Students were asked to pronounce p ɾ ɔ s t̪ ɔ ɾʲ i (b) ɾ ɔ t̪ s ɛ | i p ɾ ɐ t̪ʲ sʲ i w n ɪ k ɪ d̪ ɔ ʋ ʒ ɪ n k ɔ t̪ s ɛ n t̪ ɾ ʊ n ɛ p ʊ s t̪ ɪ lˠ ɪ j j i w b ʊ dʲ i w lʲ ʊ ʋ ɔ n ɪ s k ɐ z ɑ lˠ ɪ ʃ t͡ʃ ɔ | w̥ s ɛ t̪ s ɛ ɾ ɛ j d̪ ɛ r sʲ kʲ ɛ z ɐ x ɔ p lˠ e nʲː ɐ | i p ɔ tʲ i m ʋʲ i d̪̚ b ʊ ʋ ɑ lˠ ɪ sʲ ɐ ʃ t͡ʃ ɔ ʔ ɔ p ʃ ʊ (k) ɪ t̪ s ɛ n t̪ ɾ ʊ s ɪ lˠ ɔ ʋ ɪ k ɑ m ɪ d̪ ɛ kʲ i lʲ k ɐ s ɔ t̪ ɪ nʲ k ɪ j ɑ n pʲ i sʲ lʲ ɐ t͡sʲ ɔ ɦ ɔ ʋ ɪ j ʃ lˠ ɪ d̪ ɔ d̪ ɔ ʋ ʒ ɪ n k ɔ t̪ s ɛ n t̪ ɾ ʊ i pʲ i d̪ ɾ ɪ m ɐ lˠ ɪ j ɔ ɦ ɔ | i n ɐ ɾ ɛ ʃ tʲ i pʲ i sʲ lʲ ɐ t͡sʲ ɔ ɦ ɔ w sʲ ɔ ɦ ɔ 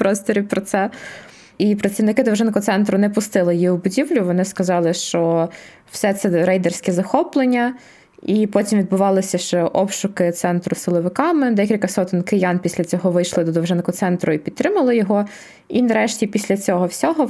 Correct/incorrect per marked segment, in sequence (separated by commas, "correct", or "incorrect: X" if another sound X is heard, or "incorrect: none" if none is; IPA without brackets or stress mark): incorrect: p, correct